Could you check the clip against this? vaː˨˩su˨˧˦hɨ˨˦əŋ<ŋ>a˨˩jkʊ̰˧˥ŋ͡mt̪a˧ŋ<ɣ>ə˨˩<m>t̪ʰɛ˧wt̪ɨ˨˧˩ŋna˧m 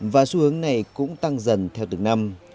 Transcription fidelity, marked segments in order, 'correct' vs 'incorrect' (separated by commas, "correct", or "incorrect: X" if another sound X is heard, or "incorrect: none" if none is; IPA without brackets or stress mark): incorrect: n, incorrect: z, incorrect: n